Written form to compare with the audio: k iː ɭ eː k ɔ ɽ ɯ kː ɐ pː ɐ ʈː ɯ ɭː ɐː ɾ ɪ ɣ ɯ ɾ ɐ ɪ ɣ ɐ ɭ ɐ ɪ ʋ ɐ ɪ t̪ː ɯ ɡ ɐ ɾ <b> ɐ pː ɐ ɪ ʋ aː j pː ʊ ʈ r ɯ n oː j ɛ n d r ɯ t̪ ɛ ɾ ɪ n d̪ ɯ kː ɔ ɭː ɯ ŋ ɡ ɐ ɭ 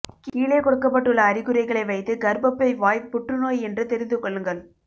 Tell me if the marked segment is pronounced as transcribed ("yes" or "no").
yes